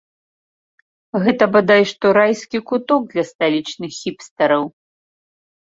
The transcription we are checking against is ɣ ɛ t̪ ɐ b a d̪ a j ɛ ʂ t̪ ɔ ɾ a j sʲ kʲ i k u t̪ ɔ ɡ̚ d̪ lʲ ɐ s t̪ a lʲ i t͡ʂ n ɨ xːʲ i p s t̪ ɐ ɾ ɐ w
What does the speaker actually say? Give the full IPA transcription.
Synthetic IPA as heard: ɣ ɛ t̪ ɐ b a d̪ a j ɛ ʂ t̪ ɔ ɾ a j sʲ kʲ i k u t̪ ɔ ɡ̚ d̪ lʲ ɐ s t̪ a lʲ i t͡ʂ n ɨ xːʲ i p s t̪ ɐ ɾ ɐ w